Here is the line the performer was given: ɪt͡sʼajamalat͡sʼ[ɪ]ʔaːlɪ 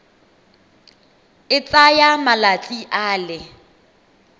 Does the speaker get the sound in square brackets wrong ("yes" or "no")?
yes